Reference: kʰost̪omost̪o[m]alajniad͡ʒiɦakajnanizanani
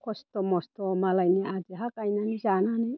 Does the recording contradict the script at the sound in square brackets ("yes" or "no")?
no